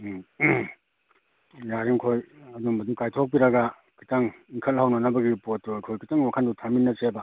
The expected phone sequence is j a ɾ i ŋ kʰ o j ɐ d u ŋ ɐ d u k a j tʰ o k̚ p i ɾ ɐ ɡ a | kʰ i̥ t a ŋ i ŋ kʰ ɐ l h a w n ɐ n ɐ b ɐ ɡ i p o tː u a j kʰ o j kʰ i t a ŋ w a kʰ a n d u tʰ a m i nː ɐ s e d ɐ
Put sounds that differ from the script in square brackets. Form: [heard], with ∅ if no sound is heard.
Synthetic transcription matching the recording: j a ɾ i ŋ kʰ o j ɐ d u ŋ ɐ d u k a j tʰ o k̚ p i ɾ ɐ ɡ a | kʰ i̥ t a ŋ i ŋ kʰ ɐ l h a w n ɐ n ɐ b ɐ ɡ i p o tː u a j kʰ o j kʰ i t a ŋ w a kʰ a n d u tʰ a m i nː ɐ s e [b] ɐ